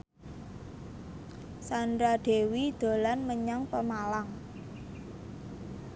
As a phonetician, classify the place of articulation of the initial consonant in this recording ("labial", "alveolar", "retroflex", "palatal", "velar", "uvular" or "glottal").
alveolar